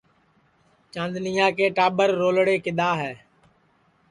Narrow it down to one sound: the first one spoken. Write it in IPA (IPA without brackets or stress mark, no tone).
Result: t͡ʃ